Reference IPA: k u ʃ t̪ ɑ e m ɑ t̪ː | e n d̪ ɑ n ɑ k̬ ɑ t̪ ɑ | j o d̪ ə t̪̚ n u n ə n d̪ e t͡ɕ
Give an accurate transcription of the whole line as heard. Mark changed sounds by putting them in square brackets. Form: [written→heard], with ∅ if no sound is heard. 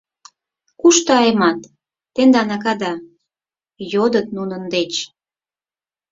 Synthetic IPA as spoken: k u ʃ t̪ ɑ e m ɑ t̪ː | e n d̪ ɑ n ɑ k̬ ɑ [t̪→d̪] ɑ | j o d̪ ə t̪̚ n u n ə n d̪ e t͡ɕ